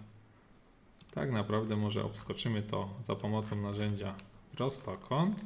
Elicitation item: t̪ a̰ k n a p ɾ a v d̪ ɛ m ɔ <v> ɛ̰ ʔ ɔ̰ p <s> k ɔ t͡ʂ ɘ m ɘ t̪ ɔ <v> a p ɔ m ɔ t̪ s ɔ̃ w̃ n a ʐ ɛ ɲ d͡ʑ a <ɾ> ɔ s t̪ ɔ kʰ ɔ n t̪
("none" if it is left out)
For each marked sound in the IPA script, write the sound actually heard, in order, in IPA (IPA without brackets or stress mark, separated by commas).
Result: ʐ, s, z, ɾ